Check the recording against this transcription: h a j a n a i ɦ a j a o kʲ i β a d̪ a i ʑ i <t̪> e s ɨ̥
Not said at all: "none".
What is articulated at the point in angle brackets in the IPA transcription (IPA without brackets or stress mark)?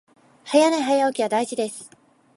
d̪